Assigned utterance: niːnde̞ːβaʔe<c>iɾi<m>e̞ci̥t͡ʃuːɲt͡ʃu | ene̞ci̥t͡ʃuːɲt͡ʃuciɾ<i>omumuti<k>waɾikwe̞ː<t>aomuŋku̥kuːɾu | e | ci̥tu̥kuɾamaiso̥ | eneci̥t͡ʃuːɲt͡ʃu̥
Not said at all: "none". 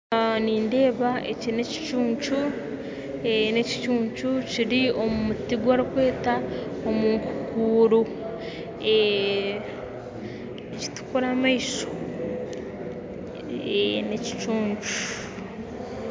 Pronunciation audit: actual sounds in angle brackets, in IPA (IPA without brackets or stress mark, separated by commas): c, n, i, ɡ, t